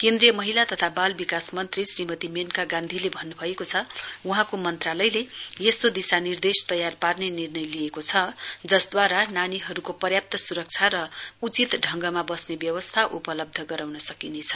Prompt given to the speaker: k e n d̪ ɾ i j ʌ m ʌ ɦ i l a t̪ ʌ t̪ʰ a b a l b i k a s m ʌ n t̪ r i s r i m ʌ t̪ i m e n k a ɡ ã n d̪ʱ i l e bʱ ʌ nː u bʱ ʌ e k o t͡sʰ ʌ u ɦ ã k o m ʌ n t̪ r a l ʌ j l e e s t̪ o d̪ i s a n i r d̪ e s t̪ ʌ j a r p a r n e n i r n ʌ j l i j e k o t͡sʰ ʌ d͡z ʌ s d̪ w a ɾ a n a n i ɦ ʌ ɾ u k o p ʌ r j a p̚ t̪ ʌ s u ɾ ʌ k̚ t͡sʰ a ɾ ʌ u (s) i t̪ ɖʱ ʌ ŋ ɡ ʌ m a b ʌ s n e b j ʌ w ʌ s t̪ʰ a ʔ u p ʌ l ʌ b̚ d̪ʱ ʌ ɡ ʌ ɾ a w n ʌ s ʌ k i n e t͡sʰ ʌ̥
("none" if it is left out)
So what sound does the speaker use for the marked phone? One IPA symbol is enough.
t͡s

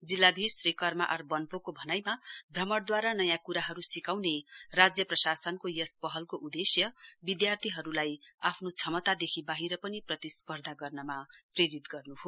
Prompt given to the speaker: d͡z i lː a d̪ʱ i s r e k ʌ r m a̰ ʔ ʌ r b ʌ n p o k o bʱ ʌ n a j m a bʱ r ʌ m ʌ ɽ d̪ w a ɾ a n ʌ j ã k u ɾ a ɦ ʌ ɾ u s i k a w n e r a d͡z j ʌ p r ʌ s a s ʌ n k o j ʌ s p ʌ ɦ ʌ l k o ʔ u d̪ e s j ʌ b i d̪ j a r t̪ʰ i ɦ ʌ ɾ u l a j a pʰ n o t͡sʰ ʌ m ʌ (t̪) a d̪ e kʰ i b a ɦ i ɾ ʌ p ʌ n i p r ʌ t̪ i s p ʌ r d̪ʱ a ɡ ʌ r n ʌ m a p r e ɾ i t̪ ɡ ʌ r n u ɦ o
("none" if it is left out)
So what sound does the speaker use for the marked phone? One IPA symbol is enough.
t̪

